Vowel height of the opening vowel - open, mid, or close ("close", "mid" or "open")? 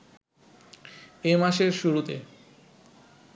mid